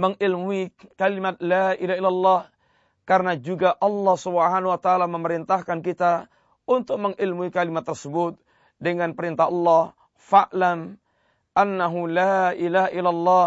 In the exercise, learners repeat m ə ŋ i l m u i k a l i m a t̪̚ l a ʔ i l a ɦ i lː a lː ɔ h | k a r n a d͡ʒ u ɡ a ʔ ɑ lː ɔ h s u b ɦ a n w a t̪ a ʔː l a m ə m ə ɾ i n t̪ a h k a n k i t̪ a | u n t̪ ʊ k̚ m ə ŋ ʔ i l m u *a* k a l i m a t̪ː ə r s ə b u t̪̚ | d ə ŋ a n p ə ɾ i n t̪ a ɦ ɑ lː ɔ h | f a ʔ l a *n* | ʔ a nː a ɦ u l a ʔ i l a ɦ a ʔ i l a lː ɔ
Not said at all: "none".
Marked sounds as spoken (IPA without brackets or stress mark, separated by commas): i, m